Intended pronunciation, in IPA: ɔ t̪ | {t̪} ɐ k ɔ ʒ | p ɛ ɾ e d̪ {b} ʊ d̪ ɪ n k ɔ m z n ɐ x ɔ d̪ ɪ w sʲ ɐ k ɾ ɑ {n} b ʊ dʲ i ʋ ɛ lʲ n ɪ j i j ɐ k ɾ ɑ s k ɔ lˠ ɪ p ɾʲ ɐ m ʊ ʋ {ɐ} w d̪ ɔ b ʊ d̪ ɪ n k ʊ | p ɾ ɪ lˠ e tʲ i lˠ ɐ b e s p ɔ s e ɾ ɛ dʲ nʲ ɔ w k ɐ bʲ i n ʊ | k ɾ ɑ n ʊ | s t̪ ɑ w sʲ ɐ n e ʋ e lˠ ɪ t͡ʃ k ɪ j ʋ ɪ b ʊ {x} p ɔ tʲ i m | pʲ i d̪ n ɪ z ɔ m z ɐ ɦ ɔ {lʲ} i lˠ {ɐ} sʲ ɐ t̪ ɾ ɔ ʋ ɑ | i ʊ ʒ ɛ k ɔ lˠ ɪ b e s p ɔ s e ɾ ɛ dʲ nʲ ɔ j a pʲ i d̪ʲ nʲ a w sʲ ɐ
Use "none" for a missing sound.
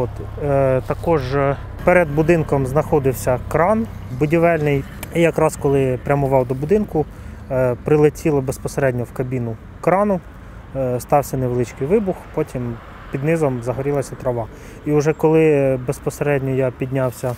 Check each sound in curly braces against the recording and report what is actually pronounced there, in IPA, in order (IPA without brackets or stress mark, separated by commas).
t̪, b, n, ɑ, x, ɾʲ, ɐ